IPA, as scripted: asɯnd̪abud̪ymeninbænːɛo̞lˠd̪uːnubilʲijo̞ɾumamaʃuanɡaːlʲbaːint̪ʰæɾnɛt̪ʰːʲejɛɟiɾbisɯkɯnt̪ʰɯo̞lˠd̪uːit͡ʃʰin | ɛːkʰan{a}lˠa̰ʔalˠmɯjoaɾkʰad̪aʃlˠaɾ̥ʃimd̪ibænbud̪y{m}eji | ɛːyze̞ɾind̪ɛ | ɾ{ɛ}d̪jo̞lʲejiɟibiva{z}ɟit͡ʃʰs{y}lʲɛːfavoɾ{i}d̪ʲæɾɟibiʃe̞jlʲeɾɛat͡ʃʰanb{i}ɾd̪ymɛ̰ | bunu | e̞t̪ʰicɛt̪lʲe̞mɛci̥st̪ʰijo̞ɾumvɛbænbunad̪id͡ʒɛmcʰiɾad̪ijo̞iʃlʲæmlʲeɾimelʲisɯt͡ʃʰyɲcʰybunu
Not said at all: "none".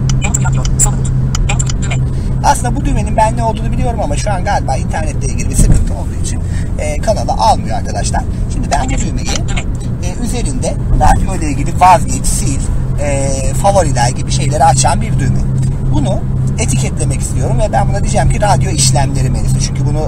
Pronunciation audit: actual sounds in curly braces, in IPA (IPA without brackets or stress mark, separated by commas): a, m, a, z, i, i, i